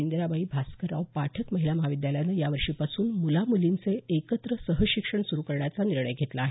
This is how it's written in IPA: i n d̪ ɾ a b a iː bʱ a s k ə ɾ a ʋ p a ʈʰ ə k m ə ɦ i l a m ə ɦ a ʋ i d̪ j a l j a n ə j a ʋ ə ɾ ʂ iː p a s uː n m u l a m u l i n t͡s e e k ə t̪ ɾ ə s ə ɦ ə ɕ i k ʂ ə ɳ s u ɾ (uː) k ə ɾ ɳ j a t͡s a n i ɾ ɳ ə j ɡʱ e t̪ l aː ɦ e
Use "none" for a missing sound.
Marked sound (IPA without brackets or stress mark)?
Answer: u